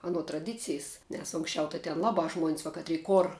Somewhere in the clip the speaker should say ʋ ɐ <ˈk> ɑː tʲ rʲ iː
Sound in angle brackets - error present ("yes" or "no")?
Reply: no